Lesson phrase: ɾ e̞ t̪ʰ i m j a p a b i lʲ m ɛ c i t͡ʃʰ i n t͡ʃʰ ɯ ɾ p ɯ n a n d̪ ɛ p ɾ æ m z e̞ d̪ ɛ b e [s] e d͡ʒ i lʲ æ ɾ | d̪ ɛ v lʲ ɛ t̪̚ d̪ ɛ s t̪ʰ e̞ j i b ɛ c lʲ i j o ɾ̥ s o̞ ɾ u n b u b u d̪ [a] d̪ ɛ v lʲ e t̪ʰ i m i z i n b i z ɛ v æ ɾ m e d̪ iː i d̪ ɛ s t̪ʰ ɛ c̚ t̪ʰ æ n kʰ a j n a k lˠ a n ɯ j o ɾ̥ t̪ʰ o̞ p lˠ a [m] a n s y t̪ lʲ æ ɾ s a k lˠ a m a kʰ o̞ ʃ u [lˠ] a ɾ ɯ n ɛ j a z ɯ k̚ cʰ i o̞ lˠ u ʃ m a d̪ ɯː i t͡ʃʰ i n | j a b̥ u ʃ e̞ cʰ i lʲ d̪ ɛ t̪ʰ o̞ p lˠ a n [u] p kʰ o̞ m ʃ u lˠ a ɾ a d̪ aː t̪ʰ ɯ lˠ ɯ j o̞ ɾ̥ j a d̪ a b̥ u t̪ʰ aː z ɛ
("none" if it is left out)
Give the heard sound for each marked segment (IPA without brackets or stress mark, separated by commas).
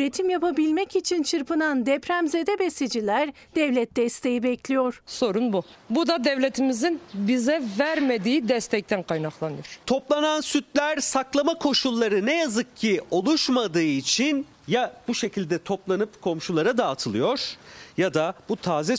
s, a, n, lˠː, ɯ